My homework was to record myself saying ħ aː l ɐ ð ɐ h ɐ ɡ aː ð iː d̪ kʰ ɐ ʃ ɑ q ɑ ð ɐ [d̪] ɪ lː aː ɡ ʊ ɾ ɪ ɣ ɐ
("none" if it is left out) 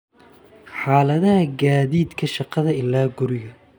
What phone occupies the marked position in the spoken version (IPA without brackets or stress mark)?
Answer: none